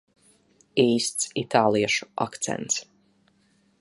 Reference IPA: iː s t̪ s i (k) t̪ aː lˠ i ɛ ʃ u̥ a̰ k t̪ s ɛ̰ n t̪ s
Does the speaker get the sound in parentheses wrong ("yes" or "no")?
yes